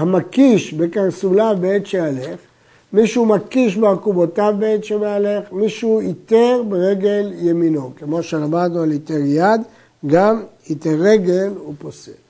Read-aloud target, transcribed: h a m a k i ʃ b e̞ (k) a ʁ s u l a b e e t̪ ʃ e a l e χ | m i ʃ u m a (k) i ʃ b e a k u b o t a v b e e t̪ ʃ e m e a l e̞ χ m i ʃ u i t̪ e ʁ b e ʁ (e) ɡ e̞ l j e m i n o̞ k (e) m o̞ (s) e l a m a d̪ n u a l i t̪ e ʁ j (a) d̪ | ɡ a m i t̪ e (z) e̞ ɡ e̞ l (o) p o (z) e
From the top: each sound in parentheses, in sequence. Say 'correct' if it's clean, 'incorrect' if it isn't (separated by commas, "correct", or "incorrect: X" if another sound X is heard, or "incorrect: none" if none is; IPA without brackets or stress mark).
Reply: correct, correct, correct, correct, incorrect: ʃ, correct, incorrect: ʁ, incorrect: u, incorrect: s